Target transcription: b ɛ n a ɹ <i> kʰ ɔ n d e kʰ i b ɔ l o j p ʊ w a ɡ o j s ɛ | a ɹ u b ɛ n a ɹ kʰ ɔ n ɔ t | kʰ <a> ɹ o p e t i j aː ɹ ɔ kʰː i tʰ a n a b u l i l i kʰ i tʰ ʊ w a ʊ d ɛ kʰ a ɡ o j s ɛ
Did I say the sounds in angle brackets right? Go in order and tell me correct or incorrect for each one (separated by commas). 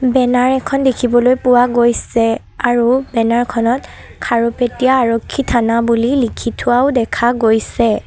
incorrect, correct